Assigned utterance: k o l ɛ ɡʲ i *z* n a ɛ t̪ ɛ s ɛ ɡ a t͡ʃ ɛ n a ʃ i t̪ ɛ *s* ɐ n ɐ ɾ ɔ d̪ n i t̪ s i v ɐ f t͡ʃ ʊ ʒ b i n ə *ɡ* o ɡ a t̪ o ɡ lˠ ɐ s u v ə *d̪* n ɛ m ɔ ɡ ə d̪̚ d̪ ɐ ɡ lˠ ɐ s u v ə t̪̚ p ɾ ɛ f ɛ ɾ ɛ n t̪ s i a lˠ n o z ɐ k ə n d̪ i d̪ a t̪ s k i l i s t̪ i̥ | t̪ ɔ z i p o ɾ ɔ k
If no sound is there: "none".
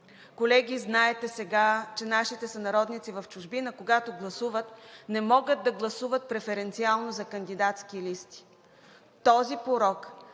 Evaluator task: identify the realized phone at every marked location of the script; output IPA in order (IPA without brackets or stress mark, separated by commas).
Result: z, s, k, t̪